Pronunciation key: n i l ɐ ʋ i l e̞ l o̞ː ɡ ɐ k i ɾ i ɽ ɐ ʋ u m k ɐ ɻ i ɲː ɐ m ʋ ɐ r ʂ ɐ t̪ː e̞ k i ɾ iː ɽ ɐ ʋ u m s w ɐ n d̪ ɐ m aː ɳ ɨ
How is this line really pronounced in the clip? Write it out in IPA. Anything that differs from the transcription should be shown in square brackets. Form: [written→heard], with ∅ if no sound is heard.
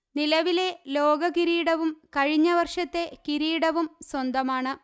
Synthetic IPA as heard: n i l ɐ ʋ i l e̞ l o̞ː ɡ ɐ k i ɾ [i→iː] ɽ ɐ ʋ u m k ɐ ɻ i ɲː ɐ [m→∅] ʋ ɐ r ʂ ɐ t̪ː e̞ k i ɾ iː ɽ ɐ ʋ u m s w ɐ n d̪ ɐ m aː ɳ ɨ